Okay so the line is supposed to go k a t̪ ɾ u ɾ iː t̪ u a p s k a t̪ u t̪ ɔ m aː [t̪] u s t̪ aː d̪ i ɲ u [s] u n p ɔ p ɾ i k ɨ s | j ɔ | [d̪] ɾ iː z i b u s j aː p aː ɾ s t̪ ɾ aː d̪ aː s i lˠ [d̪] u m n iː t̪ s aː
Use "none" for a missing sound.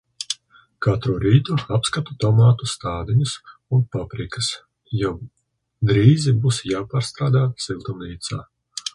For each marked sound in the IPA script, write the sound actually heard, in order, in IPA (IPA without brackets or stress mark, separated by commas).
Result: t̪, s, d̪, t̪